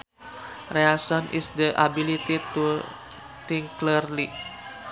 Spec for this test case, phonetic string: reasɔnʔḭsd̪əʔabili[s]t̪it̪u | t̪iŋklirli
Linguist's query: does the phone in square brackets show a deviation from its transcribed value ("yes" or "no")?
yes